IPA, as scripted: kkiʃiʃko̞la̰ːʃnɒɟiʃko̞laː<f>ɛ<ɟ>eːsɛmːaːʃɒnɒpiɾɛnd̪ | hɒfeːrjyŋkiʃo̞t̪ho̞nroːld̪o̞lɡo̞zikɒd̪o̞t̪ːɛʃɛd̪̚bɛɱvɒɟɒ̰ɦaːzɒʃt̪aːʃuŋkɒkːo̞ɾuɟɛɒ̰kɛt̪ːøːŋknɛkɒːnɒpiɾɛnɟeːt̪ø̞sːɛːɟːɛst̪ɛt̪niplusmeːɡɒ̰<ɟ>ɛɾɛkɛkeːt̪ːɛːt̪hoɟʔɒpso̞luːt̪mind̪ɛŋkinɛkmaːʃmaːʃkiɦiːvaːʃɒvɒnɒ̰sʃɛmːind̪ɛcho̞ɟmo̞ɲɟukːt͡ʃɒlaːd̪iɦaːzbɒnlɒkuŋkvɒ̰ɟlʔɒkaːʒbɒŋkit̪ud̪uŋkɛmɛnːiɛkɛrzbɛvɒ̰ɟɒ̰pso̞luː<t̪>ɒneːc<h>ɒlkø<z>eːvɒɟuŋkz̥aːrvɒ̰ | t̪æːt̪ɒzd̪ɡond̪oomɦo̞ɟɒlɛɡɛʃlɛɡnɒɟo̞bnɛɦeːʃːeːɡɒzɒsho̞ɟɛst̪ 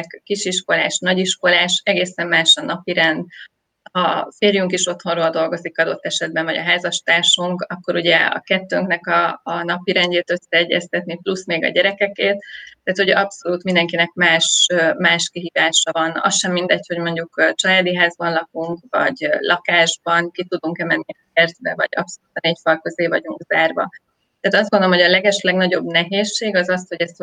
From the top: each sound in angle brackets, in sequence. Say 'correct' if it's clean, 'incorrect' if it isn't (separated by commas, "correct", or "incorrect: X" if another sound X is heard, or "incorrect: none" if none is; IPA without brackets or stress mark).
incorrect: ʃ, incorrect: ɡ, correct, correct, incorrect: f, correct